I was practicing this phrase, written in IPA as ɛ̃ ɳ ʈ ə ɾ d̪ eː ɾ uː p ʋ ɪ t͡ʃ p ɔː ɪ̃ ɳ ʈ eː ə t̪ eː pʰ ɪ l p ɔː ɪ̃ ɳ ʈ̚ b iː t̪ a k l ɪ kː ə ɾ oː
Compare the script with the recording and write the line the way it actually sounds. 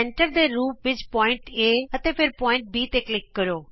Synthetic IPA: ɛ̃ ɳ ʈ ə ɾ d̪ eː ɾ uː p ʋ ɪ t͡ʃ p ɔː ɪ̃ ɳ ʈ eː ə t̪ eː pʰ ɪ ɾ p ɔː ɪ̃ ɳ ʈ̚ b iː t̪ e k l ɪ kː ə ɾ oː